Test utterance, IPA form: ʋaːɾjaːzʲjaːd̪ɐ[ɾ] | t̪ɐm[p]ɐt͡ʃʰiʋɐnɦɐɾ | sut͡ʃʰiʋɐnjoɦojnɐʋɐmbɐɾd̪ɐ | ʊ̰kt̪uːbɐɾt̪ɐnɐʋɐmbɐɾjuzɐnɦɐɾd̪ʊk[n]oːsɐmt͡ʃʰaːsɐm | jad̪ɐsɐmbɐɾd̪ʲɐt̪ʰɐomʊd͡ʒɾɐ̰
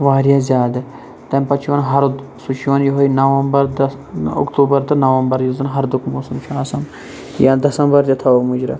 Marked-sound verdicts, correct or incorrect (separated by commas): incorrect, correct, incorrect